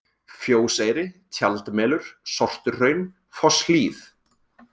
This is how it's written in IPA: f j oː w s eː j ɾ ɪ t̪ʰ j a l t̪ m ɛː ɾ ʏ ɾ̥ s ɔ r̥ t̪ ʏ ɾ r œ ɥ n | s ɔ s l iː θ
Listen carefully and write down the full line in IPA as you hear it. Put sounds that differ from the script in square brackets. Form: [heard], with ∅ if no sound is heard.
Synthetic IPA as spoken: f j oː w s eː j ɾ ɪ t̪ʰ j a l t̪ m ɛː [l] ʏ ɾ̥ s ɔ r̥ t̪ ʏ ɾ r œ ɥ n | [f] ɔ s l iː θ